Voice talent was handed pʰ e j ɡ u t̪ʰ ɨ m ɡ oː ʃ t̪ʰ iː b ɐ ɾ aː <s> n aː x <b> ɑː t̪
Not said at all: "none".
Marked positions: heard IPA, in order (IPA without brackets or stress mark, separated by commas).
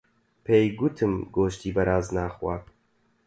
z, w